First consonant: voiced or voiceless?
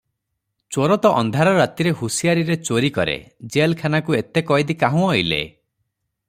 voiceless